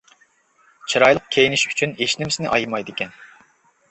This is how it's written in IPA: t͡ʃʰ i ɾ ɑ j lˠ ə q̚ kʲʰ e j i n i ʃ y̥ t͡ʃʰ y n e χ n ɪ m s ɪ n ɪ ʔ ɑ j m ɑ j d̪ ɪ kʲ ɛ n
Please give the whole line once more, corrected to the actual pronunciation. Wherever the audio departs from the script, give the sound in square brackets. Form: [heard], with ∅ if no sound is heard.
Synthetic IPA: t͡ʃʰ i ɾ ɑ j lˠ ə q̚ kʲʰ e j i n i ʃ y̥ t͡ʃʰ y n e [ʃ] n ɪ m s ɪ n ɪ ʔ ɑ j m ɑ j d̪ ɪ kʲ ɛ n